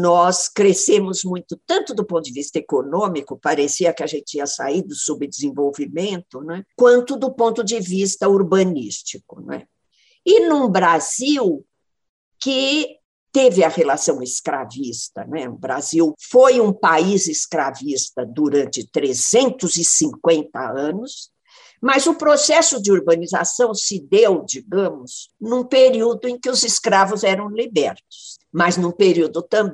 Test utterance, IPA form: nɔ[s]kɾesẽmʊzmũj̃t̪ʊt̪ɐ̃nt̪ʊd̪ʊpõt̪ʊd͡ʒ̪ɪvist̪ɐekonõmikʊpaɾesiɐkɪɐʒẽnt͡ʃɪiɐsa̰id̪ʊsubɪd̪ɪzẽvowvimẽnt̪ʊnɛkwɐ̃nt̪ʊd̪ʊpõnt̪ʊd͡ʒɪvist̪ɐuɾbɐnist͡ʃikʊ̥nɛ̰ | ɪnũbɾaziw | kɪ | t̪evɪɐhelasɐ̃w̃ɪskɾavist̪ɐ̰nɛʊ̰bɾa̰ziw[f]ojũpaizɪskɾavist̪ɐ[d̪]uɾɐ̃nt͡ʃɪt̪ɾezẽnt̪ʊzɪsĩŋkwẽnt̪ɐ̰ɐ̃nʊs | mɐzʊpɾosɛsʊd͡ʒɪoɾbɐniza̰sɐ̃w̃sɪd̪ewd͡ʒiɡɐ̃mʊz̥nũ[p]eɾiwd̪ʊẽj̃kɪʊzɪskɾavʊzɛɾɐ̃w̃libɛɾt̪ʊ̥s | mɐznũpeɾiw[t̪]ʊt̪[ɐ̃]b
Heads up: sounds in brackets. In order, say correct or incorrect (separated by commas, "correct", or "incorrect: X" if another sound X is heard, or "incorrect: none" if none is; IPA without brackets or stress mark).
correct, correct, correct, correct, incorrect: d̪, correct